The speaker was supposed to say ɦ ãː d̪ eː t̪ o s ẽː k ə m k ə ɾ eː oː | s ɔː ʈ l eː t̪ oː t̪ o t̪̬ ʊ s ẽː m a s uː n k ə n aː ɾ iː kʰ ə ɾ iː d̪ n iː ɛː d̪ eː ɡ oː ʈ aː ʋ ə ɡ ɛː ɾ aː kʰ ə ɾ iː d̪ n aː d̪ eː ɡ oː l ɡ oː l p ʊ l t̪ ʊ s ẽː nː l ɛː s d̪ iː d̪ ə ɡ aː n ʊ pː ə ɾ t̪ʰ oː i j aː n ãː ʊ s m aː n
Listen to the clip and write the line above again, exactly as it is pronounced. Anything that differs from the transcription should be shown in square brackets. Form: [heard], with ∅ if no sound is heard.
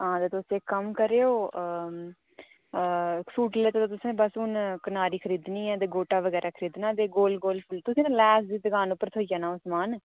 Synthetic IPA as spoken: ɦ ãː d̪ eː t̪ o s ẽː k ə m k ə ɾ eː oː | s [uː] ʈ l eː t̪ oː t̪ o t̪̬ ʊ s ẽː [b] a s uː n k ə n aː ɾ iː kʰ ə ɾ iː d̪ n iː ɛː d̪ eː ɡ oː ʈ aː ʋ ə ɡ ɛː ɾ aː kʰ ə ɾ iː d̪ n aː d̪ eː ɡ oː l ɡ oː l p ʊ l t̪ ʊ s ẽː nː l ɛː s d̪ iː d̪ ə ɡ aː n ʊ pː ə ɾ t̪ʰ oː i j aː n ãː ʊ s m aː n